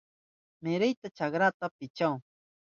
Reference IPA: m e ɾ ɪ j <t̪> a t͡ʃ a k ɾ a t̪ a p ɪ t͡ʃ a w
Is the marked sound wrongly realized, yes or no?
no